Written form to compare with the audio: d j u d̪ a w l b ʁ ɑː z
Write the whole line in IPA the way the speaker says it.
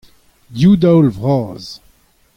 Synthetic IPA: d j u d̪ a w l v ʁ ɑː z